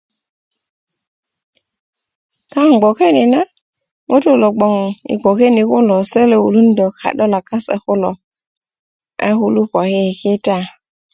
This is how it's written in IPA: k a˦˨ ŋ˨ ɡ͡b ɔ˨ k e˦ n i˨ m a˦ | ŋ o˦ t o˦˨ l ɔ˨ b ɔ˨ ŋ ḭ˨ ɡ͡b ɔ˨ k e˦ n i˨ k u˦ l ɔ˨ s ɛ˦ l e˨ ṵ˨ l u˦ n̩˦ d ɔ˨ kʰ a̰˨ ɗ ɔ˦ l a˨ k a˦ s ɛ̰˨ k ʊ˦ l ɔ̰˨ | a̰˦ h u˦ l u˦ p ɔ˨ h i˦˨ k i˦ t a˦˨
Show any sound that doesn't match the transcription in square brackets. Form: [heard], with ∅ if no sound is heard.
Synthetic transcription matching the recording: k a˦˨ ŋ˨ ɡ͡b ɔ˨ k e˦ n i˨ [n] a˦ | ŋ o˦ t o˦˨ l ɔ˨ [ɡ͡b] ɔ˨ ŋ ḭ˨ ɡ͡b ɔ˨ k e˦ n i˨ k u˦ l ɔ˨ s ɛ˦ l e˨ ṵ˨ l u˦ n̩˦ d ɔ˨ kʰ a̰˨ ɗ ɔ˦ l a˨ k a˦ s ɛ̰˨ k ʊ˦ l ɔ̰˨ | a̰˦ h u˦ l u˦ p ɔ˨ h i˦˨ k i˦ t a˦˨